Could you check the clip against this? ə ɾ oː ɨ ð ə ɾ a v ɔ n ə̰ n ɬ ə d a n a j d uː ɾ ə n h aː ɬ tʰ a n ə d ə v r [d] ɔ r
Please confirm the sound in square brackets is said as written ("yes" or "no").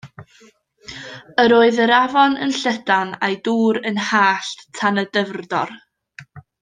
yes